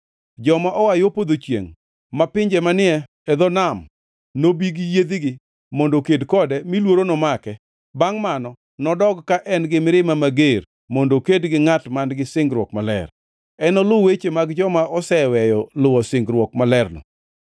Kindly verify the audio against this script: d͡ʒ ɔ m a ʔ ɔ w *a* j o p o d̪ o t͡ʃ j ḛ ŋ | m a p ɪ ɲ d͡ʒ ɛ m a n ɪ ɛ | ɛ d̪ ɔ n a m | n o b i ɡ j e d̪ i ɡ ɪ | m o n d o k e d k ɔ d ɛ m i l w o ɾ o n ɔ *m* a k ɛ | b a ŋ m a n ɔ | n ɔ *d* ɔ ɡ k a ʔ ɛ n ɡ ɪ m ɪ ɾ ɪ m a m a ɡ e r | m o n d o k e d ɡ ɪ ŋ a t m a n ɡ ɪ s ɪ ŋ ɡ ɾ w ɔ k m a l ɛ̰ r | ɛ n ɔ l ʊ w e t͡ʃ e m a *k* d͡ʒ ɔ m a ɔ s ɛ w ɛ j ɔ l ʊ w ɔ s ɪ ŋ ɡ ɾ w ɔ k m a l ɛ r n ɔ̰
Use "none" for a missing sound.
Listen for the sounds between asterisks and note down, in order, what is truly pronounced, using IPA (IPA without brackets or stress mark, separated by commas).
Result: a, m, d, ɡ